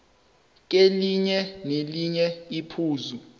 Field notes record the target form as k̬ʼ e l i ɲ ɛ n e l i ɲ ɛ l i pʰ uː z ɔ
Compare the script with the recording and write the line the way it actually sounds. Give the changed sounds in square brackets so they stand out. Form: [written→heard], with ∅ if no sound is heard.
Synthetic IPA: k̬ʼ e l i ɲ ɛ n e l i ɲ ɛ [l→∅] i pʰ uː z [ɔ→u]